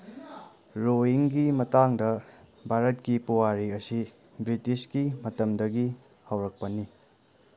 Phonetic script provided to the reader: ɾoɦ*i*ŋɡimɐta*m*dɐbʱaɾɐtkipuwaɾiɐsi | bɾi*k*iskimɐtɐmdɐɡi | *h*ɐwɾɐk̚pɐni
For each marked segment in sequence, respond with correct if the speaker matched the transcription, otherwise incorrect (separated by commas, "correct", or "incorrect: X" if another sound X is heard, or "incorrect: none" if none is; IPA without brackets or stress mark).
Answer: correct, incorrect: ŋ, incorrect: t, correct